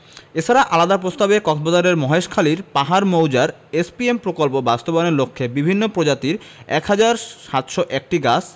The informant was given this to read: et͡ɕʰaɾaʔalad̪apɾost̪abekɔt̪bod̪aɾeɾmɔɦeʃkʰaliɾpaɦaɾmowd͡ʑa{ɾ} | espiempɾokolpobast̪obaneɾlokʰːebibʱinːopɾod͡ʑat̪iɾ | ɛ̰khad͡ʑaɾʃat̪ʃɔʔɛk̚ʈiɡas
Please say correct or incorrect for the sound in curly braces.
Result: correct